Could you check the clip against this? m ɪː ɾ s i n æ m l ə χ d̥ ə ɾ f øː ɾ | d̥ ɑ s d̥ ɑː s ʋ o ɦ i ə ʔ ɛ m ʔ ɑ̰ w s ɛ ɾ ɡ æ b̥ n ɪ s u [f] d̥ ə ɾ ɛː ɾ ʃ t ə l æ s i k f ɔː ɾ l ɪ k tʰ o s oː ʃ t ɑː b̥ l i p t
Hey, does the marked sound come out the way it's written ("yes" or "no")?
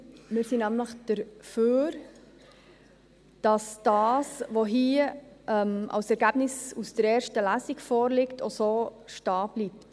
no